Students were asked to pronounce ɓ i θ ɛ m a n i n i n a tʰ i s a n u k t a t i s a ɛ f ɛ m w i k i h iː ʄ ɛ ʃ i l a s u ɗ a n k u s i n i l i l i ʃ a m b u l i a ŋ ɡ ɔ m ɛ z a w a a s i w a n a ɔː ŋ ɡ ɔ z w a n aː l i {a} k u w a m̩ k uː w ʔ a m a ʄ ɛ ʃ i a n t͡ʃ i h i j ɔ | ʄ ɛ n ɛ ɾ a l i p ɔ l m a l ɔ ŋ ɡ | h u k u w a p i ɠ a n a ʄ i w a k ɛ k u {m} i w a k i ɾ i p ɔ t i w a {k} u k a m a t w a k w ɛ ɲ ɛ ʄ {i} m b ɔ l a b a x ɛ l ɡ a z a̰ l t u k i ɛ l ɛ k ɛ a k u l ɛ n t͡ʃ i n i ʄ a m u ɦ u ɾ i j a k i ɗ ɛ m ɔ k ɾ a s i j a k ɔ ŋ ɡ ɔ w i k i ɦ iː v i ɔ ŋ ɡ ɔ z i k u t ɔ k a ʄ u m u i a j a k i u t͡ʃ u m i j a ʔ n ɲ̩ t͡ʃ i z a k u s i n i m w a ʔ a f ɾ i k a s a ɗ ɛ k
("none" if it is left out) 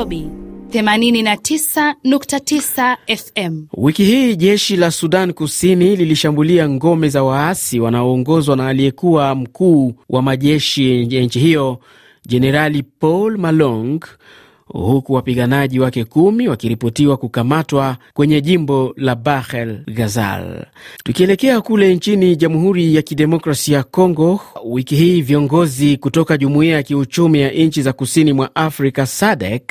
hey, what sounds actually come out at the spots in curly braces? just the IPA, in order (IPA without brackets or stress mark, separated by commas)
ɛ, m, k, i